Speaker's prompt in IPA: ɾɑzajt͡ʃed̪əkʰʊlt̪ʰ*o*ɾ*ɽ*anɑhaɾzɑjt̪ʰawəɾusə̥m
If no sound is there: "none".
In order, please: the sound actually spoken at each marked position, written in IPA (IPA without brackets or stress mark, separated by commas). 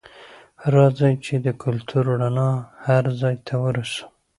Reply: u, ɽ